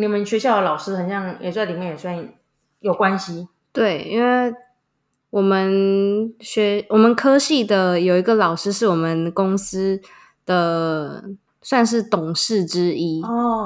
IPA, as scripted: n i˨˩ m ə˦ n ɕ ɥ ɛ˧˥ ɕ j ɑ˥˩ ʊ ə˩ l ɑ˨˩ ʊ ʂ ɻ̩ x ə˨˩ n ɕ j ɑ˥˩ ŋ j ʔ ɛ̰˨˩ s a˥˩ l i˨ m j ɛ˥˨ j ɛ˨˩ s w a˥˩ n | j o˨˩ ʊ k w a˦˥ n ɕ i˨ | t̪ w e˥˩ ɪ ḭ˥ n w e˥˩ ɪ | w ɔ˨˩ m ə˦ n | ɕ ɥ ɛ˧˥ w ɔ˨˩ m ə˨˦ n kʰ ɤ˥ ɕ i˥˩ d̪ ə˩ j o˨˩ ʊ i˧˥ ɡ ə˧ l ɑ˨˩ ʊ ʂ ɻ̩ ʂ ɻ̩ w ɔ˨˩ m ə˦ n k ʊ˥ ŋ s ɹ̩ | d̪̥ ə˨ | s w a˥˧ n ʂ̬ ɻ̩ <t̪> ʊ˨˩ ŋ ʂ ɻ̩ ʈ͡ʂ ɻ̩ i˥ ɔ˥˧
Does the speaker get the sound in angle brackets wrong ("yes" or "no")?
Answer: no